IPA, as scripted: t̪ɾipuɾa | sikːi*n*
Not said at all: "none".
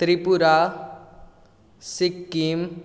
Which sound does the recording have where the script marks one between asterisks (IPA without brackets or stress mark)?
m